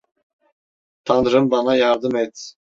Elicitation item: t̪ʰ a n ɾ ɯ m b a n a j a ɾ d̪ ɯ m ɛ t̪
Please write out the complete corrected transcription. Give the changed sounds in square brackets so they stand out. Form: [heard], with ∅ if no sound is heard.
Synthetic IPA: t̪ʰ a n ɾ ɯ m b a n a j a ɾ d̪ ɯ m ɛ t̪

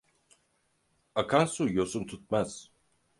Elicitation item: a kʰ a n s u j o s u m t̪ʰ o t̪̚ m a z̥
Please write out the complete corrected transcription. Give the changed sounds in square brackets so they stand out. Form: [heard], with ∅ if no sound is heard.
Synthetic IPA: a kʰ a n s u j o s u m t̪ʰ [u] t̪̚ m a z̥

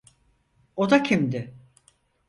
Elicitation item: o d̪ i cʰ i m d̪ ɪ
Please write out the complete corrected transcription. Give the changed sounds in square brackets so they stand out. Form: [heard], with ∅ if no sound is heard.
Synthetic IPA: o d̪ [a] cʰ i m d̪ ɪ

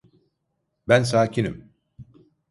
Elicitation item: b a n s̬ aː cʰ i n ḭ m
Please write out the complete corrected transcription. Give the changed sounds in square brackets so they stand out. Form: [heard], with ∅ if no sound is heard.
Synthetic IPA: b [æ] n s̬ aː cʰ i n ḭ m

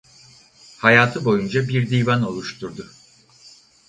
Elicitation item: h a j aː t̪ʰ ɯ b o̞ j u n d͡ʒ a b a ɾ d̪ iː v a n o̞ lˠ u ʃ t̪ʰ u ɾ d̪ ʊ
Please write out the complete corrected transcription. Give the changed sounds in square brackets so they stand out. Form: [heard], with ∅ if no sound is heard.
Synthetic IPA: h a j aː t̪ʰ ɯ b o̞ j u n d͡ʒ a b [i] ɾ d̪ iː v a n o̞ lˠ u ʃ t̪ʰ u ɾ d̪ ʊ

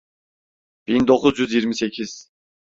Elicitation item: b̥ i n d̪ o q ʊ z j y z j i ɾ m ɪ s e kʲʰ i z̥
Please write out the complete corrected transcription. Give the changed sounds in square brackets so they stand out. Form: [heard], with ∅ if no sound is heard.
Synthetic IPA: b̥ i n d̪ o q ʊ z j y z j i ɾ m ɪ s e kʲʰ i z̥

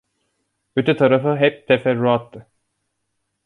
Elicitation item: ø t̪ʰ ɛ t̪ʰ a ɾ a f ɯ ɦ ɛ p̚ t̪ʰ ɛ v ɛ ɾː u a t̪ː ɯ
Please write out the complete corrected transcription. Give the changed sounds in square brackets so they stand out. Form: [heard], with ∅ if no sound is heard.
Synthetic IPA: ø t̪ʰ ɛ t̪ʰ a ɾ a f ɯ ɦ ɛ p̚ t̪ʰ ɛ [f] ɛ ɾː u a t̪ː ɯ

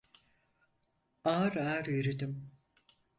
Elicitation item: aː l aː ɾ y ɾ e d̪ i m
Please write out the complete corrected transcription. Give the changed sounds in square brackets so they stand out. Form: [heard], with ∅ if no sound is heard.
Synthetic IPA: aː [ɾ] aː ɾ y ɾ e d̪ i m

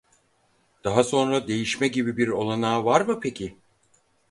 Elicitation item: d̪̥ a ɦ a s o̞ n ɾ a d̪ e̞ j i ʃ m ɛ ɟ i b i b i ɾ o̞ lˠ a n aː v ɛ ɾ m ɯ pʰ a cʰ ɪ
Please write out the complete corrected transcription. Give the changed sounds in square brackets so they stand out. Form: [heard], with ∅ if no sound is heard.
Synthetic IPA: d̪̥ a ɦ a s o̞ n ɾ a d̪ e̞ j i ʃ m ɛ ɟ i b i b i ɾ o̞ lˠ a n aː v [a] ɾ m ɯ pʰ [e] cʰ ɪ

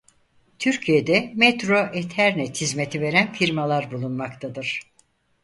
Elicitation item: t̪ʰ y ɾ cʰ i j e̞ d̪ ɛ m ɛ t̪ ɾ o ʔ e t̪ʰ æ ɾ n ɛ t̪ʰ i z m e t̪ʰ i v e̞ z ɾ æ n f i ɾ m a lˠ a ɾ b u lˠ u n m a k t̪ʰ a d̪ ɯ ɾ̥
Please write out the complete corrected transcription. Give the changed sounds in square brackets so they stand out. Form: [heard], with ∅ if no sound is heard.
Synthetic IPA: t̪ʰ y ɾ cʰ i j e̞ d̪ ɛ m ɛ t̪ ɾ o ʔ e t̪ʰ æ ɾ n ɛ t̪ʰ i z m e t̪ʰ i v e̞ [∅] ɾ æ n f i ɾ m a lˠ a ɾ b u lˠ u n m a k t̪ʰ a d̪ ɯ ɾ̥

